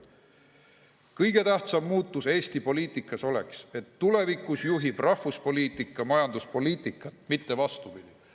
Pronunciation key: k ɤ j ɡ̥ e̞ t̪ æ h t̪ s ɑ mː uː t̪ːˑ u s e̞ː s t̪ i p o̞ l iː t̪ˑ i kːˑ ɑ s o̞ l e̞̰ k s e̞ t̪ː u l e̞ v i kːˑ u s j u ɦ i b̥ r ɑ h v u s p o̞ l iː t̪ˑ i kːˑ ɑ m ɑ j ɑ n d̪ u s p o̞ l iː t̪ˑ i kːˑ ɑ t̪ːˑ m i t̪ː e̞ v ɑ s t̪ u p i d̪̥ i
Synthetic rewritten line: k ɤ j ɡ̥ e̞ t̪ æ h t̪ s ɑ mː uː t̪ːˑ u s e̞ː s t̪ i p o̞ l iː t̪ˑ i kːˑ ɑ s o̞ l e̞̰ k s e̞ t̪ː u l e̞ v i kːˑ u s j u ɦ i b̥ r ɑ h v u s p o̞ l iː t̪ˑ i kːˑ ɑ m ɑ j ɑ n d̪ u s p o̞ l iː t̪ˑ i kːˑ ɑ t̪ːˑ m i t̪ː e̞ v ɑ s t̪ u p i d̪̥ i

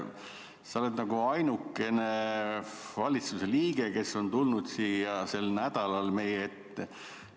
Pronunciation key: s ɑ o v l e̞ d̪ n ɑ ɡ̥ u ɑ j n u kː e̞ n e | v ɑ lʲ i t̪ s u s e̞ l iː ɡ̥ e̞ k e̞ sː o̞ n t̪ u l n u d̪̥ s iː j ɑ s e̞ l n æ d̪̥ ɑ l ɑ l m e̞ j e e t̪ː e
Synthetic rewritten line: s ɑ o l e̞ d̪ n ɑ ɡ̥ u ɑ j n u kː e̞ n e | v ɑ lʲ i t̪ s u s e̞ l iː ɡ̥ e̞ k e̞ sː o̞ n t̪ u l n u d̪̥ s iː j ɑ s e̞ l n æ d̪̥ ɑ l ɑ l m e̞ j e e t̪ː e

